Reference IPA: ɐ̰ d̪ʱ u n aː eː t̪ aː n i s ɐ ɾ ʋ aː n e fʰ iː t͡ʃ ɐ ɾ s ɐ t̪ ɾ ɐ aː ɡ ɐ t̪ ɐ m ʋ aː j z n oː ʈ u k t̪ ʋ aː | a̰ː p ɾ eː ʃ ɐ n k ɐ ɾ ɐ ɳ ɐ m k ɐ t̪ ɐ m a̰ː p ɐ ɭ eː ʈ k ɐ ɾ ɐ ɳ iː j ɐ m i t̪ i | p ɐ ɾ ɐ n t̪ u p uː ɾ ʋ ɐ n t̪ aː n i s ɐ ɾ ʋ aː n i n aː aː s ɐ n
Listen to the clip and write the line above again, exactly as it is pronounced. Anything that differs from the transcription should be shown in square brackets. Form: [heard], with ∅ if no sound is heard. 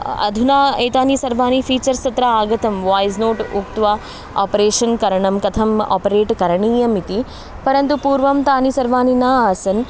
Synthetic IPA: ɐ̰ d̪ʱ u n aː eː t̪ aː n i s ɐ ɾ ʋ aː n [i] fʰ iː t͡ʃ ɐ ɾ s ɐ t̪ ɾ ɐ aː ɡ ɐ t̪ ɐ m ʋ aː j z n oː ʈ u k t̪ ʋ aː | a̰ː p ɾ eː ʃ ɐ n k ɐ ɾ ɐ ɳ ɐ m k ɐ [t̪ʰ] ɐ m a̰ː p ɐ [ɾ] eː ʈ k ɐ ɾ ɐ ɳ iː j ɐ m i t̪ i | p ɐ ɾ ɐ n t̪ u p uː ɾ ʋ ɐ [m] t̪ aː n i s ɐ ɾ ʋ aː n i n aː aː s ɐ n